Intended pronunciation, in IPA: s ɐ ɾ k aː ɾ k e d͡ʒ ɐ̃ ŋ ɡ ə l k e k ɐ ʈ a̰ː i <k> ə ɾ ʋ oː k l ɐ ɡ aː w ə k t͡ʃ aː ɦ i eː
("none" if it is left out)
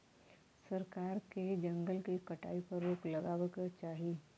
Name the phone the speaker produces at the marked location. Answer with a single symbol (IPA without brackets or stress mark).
p